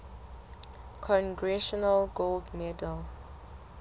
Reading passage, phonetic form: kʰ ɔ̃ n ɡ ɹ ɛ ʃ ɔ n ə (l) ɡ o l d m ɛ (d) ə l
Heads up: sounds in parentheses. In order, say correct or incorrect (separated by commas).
correct, correct